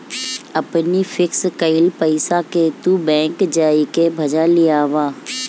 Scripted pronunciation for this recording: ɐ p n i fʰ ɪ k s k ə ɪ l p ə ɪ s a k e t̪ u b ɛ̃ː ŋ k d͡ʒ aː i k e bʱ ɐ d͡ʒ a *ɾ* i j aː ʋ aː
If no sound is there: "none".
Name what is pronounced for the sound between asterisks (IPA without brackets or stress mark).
l